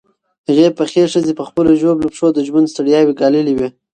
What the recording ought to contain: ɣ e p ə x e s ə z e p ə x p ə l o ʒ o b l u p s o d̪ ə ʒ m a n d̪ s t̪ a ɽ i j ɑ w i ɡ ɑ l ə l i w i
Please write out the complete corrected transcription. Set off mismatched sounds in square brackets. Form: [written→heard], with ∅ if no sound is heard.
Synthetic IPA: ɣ e p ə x e [s→ʂ] ə z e p ə x p ə l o ʒ o b l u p [s→ʂ] o d̪ ə ʒ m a n d̪ s t̪ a ɽ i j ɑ w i ɡ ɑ l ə l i w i

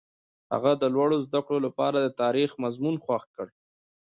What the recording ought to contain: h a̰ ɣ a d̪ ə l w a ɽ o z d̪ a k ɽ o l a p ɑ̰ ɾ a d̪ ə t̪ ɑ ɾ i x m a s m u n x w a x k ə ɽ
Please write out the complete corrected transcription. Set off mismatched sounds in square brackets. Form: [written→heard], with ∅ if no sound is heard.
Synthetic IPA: h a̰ ɣ a d̪ ə l w a ɽ o z d̪ a k ɽ o l a p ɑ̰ ɾ a d̪ ə t̪ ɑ ɾ i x m a [s→z] m u n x w a x k ə ɽ

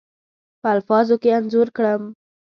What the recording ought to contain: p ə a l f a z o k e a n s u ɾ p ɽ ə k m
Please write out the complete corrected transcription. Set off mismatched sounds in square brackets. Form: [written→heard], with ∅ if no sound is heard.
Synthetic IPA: p ə a l f [a→ɑ] z o k e a n [s→z] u ɾ [p→k] ɽ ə [k→∅] m

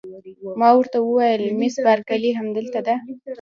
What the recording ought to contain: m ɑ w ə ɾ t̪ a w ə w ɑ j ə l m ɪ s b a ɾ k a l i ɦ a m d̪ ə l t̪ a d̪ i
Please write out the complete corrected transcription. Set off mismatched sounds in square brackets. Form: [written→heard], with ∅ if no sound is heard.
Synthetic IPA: m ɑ w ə ɾ t̪ a w ə w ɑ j ə l m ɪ s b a ɾ k a l i ɦ a m d̪ ə l t̪ a d̪ [i→a]

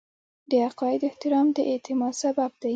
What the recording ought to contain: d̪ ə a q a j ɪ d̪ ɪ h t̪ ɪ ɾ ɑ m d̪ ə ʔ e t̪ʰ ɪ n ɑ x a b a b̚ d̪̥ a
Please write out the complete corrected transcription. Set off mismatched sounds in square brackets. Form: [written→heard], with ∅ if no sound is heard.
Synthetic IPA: d̪ ə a q [a→ɑ] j ɪ d̪ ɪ h t̪ ɪ ɾ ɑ m d̪ ə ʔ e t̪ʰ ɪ [n→m] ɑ [x→s] a b a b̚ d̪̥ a

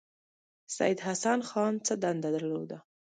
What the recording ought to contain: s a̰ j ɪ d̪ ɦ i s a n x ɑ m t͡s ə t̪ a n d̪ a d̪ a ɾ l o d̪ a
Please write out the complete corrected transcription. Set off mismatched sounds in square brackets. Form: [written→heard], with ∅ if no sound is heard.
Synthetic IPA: s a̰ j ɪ d̪ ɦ [i→a] s a n x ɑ [m→n] t͡s ə [t̪→d̪] a n d̪ a d̪ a ɾ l o d̪ a

